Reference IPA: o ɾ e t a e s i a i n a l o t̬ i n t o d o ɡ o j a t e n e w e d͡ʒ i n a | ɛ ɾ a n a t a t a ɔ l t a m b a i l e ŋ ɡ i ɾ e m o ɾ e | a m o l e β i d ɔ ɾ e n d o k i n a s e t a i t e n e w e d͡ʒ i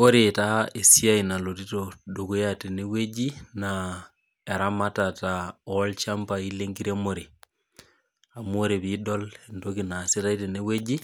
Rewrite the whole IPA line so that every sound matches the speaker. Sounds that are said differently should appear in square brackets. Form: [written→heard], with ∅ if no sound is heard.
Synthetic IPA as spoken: o ɾ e t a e s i a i n a l o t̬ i [n→∅] t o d o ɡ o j a t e n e w e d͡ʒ i n a | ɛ ɾ a [n→m] a t a t a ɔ l [t→t͡ʃ] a m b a i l e ŋ ɡ i ɾ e m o ɾ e | a m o [l→ɾ] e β i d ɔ [ɾ→l] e n d o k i n a s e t a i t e n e w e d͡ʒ i